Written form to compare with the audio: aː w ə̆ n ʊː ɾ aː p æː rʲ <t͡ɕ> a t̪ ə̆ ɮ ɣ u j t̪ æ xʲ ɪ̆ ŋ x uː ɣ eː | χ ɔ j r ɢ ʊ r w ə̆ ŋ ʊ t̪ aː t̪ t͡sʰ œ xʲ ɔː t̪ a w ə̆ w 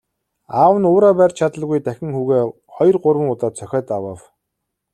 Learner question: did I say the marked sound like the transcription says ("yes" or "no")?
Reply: no